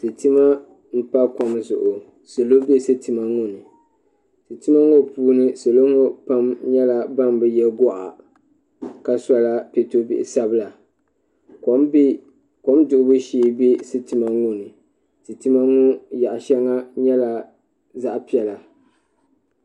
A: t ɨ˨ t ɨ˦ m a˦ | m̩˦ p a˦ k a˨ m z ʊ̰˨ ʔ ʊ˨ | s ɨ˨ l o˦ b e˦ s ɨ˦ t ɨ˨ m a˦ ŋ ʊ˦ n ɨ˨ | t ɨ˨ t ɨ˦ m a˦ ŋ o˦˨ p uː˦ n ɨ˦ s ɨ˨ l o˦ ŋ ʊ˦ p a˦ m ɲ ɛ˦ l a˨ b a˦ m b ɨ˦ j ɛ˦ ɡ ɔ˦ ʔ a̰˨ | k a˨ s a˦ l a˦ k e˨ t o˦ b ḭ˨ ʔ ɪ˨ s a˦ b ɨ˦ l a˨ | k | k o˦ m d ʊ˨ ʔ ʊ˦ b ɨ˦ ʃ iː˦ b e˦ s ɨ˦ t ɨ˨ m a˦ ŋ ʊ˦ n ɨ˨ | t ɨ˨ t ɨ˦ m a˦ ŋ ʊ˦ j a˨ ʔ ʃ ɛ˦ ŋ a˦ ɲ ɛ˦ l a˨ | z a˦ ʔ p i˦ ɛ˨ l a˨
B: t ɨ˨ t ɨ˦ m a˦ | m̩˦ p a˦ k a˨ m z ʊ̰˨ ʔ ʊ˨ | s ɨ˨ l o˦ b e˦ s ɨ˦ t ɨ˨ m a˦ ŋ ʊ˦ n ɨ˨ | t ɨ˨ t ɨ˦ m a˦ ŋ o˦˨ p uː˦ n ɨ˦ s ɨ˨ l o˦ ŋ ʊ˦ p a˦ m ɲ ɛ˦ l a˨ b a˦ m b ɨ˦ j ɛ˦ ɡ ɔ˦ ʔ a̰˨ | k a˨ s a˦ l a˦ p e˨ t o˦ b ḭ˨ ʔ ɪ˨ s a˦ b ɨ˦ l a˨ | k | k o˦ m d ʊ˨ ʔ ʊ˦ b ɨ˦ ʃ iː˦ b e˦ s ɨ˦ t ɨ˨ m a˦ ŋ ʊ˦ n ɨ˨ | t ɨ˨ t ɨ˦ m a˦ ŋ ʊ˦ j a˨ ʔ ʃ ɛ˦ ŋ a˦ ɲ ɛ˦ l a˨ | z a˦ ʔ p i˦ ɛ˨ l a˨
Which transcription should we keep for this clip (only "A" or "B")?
B